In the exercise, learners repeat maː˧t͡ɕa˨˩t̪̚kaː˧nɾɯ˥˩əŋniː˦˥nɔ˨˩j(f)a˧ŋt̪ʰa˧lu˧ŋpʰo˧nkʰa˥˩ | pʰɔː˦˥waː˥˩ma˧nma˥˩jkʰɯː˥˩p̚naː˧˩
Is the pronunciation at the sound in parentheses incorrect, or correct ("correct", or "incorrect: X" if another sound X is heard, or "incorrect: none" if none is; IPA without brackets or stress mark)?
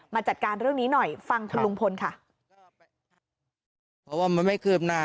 correct